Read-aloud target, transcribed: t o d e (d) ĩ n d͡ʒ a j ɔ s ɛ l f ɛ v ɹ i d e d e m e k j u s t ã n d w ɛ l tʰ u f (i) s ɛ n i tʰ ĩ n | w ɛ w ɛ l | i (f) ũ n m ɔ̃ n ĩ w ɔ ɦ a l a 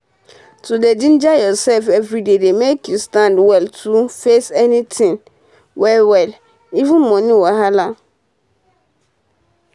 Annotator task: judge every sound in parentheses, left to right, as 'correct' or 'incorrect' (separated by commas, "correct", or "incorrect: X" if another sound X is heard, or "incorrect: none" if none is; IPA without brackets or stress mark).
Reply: correct, incorrect: e, incorrect: v